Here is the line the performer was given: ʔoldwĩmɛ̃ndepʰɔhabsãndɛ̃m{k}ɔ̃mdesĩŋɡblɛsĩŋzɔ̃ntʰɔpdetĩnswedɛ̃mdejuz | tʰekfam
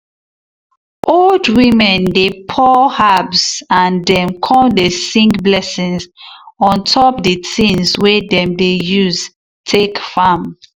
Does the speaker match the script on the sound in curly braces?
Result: no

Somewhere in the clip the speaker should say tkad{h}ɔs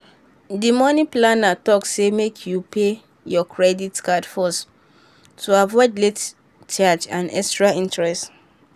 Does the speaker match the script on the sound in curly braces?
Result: no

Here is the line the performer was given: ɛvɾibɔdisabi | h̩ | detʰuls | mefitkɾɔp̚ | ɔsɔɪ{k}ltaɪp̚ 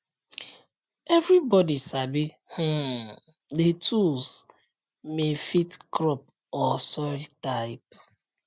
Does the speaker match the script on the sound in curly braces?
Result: no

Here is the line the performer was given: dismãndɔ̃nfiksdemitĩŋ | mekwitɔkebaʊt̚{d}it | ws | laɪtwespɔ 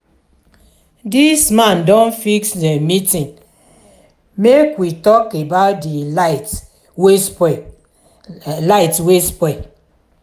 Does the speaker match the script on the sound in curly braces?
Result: yes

